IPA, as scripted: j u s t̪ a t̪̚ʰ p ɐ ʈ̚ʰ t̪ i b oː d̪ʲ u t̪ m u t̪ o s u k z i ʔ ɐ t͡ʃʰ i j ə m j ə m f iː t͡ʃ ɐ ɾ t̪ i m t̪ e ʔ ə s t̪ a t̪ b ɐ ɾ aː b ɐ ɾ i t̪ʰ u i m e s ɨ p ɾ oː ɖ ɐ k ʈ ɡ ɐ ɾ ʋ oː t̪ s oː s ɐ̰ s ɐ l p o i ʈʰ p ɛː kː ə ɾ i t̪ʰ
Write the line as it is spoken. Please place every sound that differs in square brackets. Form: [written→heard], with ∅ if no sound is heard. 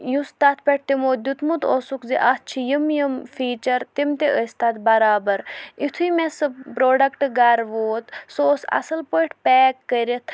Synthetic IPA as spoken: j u s t̪ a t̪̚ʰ p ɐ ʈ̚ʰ t̪ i [b→m] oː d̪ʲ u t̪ m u t̪ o s u k z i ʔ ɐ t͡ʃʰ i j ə m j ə m f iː t͡ʃ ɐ ɾ t̪ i m t̪ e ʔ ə s t̪ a t̪ b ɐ ɾ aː b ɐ ɾ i t̪ʰ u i m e s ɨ p ɾ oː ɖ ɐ k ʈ ɡ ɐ ɾ ʋ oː t̪ s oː s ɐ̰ s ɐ l p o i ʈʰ p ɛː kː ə ɾ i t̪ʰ